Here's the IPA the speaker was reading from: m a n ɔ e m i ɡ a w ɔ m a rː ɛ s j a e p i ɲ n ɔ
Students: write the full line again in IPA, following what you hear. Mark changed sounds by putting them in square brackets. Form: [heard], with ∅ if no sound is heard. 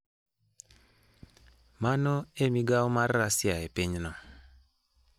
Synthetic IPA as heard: m a n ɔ e m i ɡ a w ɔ m a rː [a] s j a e p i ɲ n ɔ